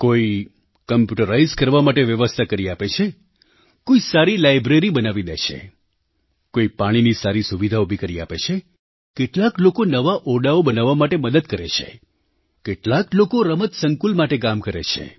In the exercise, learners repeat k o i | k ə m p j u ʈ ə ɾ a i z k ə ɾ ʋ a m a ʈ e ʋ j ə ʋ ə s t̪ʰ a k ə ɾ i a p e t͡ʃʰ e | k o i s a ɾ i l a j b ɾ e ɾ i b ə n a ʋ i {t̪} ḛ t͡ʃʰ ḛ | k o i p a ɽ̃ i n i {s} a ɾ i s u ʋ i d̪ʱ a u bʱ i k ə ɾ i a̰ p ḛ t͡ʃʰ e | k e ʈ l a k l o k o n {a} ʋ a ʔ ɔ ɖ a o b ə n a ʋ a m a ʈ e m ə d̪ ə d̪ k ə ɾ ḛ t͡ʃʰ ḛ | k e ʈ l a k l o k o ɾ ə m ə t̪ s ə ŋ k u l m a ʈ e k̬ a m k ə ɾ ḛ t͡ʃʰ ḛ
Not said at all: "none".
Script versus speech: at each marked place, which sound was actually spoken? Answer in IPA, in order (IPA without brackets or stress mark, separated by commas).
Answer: d̪, s, ə